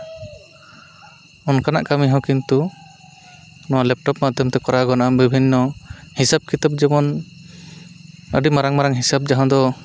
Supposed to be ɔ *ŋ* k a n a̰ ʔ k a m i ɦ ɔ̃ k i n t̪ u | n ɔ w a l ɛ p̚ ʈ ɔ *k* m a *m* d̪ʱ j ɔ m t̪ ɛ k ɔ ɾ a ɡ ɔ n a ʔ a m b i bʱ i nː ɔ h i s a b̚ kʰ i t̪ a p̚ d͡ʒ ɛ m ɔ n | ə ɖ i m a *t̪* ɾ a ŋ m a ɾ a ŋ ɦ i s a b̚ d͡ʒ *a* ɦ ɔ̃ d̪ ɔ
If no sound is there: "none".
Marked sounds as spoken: n, p, none, none, a

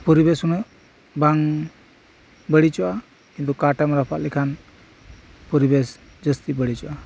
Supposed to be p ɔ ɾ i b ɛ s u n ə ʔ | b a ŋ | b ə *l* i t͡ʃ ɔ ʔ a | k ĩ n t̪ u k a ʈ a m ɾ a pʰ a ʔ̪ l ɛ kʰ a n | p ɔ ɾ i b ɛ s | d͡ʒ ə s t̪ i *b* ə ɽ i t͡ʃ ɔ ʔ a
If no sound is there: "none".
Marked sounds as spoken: ɽ, b

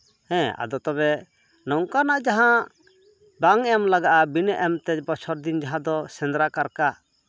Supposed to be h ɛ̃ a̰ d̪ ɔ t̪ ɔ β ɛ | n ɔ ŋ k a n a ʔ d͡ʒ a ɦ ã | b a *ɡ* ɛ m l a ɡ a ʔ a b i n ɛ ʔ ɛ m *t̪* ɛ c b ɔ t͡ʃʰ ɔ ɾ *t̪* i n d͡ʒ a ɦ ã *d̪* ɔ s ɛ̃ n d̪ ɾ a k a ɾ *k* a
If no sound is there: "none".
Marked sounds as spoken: ŋ, t̪, d̪, d̪, k

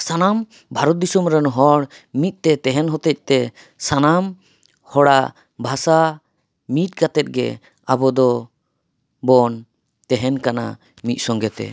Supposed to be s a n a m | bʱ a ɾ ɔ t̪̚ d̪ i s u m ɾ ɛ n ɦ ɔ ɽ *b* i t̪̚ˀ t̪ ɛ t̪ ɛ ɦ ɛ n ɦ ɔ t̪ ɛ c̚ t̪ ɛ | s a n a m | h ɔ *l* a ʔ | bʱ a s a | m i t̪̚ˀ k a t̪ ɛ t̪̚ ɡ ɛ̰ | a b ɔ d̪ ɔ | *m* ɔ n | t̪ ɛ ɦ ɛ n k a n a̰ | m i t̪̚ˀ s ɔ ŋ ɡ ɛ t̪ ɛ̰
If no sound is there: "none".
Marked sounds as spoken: m, ɽ, b

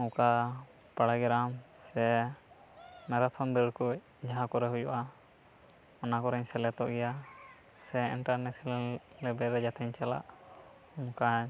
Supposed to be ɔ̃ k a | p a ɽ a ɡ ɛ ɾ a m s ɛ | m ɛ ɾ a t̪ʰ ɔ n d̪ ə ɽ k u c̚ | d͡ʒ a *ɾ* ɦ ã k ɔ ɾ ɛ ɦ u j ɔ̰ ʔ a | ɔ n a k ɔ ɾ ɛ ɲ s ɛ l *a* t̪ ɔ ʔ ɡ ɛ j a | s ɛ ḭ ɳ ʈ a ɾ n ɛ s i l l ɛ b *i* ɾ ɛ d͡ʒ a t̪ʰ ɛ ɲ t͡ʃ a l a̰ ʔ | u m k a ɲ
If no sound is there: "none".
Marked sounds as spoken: none, ɛ, ɛ

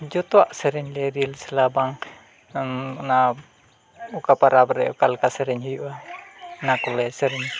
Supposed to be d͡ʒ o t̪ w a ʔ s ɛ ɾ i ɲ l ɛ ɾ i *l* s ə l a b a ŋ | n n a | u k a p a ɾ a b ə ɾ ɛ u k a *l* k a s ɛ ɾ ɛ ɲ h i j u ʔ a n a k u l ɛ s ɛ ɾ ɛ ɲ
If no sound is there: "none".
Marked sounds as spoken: l, l

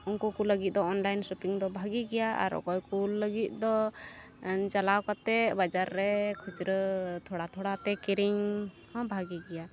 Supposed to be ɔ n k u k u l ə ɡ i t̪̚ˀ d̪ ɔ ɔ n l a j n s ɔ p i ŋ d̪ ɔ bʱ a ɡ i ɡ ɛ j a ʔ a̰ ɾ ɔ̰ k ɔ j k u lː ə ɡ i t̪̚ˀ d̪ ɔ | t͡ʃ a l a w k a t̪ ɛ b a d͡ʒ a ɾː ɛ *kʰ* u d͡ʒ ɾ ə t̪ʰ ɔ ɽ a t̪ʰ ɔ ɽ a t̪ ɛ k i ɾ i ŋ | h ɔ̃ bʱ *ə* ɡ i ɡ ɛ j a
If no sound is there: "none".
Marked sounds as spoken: kʰ, a

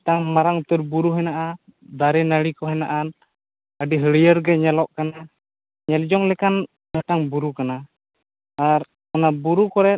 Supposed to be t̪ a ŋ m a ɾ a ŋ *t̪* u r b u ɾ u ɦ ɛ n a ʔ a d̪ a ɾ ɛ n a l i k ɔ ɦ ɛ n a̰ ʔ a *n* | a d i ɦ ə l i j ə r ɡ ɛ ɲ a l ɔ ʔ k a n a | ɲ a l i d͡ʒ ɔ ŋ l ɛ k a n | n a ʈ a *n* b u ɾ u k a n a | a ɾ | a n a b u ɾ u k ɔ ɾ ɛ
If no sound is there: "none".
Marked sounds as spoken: t̪, n, ŋ

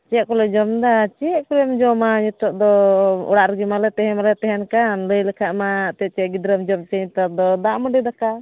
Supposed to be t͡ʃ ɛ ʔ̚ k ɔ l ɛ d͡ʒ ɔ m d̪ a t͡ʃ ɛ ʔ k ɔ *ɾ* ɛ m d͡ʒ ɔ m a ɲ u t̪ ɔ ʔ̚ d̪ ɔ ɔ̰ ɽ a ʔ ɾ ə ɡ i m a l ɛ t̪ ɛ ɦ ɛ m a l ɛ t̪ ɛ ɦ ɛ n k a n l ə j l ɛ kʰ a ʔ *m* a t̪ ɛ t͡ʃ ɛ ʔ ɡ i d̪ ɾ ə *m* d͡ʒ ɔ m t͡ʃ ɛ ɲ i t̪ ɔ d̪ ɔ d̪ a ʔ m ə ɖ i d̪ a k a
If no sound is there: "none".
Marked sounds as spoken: l, m, m

